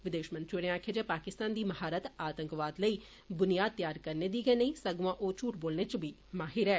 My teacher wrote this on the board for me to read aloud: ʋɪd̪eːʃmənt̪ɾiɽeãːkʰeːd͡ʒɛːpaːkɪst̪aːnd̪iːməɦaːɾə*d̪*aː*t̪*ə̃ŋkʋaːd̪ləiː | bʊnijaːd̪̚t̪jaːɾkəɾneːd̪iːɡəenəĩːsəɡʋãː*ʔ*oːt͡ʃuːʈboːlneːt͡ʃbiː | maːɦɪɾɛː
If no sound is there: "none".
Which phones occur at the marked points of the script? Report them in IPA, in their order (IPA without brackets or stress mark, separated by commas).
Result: t̪, t̪, ʔ